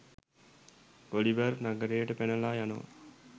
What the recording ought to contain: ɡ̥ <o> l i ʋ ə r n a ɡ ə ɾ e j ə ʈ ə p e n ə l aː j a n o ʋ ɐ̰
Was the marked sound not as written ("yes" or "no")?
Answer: no